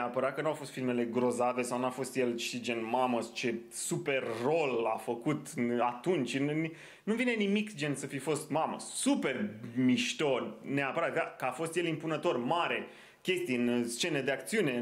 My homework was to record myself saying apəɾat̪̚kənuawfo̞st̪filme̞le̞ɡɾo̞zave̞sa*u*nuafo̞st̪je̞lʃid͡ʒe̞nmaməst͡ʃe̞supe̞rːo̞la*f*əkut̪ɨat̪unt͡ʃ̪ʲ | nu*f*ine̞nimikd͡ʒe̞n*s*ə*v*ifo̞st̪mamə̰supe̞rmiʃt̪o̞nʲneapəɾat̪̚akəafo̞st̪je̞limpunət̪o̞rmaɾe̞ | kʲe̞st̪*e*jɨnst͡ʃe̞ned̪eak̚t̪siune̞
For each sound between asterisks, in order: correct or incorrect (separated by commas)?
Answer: incorrect, correct, incorrect, correct, incorrect, incorrect